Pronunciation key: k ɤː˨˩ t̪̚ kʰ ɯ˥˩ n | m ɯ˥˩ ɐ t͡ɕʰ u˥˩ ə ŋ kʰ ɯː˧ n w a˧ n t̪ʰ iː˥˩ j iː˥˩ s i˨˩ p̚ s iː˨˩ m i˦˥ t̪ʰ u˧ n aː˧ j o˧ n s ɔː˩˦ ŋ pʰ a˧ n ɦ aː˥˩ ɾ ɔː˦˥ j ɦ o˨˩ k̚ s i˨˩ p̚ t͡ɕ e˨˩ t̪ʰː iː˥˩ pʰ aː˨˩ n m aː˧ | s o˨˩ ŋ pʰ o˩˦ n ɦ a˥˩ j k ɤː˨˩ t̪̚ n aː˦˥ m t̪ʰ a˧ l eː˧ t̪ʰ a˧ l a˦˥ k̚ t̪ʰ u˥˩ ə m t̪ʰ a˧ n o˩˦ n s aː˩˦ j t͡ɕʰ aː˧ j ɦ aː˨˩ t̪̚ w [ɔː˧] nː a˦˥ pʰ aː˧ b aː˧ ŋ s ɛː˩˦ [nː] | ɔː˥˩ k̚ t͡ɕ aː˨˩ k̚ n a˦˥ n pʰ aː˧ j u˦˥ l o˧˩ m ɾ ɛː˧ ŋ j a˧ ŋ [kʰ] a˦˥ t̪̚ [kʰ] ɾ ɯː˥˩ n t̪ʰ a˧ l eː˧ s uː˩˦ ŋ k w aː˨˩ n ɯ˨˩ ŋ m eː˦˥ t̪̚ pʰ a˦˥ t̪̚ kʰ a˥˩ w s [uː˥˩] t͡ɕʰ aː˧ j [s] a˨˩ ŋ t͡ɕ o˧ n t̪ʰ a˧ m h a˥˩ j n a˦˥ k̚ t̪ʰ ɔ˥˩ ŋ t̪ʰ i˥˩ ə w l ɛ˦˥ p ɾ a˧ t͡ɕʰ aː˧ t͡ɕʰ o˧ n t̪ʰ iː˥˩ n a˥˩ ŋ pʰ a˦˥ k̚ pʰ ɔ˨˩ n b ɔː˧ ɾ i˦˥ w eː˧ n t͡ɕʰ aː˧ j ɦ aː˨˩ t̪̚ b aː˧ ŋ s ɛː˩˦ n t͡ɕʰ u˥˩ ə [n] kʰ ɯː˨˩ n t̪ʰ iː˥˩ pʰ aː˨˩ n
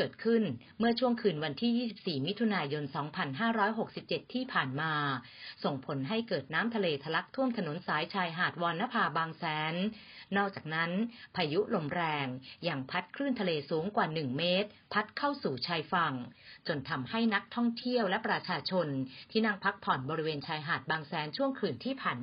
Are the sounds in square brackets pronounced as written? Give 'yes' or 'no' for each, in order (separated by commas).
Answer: yes, yes, no, yes, no, no, no